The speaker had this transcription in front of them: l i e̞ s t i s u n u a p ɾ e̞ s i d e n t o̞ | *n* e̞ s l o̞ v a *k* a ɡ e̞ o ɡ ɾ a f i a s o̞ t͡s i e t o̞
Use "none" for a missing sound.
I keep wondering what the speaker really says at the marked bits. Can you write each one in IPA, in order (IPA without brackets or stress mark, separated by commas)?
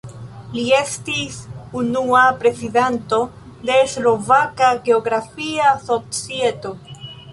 d, k